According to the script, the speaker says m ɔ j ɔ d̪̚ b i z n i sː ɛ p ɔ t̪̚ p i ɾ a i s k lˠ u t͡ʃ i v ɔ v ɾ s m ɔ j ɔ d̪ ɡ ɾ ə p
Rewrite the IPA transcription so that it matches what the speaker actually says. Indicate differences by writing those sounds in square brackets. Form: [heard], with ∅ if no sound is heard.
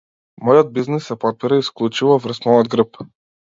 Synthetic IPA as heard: m ɔ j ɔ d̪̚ b i z n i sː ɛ p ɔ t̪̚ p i ɾ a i s k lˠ u t͡ʃ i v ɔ v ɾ s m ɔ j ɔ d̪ ɡ ɾ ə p